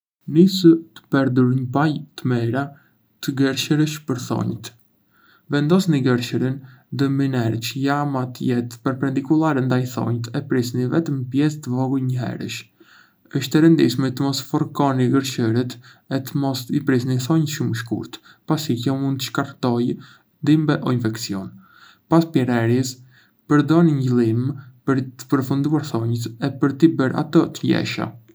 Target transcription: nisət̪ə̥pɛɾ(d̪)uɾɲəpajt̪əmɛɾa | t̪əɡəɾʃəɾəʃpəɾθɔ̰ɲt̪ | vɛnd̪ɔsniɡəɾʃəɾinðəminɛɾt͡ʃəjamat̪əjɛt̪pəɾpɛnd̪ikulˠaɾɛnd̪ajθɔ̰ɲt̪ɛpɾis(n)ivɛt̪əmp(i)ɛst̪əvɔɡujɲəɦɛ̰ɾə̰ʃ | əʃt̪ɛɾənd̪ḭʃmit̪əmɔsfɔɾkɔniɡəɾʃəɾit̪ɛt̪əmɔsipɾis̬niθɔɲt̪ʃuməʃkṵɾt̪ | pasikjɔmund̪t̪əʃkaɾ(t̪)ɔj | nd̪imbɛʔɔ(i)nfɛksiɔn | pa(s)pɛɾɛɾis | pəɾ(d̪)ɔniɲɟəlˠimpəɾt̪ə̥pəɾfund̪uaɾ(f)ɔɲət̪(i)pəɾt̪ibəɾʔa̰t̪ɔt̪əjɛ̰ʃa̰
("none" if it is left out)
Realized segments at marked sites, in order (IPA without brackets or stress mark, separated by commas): d̪, n, j, t̪, i, s, d̪, θ, ɛ